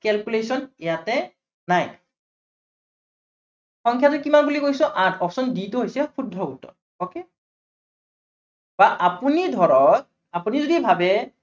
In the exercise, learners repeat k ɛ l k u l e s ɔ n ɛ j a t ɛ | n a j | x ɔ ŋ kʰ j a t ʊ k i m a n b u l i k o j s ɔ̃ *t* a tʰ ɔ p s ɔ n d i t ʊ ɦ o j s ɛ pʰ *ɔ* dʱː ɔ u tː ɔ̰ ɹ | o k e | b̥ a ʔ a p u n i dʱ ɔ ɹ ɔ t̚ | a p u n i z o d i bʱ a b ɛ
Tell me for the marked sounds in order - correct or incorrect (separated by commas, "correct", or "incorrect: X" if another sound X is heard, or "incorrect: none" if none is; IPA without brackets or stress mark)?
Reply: incorrect: ʔ, incorrect: u